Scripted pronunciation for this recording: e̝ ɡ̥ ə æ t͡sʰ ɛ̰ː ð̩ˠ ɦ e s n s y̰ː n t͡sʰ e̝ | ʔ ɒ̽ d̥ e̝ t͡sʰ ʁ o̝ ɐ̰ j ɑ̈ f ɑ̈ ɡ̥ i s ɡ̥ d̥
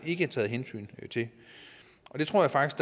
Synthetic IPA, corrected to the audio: e̝ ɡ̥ ə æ t͡sʰ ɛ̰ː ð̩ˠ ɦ e n s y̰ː n t͡sʰ e̝ | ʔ ɒ̽ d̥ e̝ t͡sʰ ʁ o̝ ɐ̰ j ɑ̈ f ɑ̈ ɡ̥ i s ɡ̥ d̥